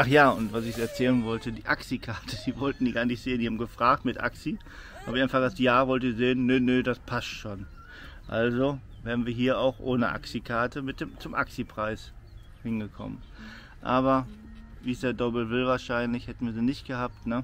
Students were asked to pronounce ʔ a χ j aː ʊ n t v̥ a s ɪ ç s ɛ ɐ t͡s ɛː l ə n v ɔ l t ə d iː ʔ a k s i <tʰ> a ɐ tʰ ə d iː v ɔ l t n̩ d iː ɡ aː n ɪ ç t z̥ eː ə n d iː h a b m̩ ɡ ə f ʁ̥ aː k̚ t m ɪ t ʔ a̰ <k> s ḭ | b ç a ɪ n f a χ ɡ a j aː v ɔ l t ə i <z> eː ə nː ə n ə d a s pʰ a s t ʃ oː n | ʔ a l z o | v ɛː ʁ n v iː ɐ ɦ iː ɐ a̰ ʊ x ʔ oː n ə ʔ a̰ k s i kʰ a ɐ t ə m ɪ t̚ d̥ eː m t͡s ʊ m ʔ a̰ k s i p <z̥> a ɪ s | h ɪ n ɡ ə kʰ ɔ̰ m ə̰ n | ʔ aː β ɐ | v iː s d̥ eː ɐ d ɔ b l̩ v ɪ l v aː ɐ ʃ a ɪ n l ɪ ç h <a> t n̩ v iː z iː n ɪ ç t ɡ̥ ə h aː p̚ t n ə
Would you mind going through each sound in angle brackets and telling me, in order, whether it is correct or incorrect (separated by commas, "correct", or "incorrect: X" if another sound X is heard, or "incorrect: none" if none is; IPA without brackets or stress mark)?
incorrect: kʰ, correct, correct, incorrect: ʁ̥, incorrect: ɛ